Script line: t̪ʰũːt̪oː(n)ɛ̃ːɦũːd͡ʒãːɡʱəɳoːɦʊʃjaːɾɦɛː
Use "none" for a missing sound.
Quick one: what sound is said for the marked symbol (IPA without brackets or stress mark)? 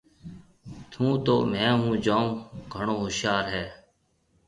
m